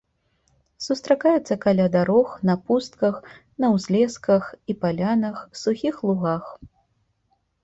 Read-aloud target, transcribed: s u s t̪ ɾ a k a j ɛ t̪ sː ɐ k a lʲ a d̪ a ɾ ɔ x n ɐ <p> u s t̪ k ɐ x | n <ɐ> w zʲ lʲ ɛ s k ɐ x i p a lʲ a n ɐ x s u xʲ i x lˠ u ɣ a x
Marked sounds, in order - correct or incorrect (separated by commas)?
correct, correct